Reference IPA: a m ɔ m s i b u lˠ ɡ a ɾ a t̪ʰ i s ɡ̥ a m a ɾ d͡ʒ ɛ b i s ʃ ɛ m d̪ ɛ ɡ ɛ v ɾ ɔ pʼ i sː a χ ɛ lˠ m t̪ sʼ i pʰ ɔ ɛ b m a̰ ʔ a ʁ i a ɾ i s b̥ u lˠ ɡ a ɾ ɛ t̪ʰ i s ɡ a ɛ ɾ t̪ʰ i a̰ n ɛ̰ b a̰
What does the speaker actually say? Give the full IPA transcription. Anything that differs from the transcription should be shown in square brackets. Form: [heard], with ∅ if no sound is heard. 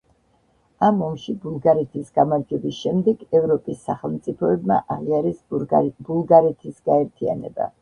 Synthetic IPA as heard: a m ɔ m [ʃ] i b u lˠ ɡ a ɾ [ɛ] t̪ʰ i s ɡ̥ a m a ɾ d͡ʒ ɛ b i s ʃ ɛ m d̪ ɛ ɡ ɛ v ɾ ɔ pʼ i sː a χ ɛ lˠ m t̪ sʼ i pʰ ɔ ɛ b m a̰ ʔ a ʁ i a ɾ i s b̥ u lˠ ɡ a ɾ ɛ t̪ʰ i s ɡ a ɛ ɾ t̪ʰ i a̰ n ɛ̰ b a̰